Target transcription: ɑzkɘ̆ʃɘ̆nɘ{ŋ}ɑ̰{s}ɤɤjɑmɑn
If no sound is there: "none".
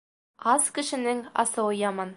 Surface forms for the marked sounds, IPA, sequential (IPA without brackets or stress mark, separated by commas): ŋ, s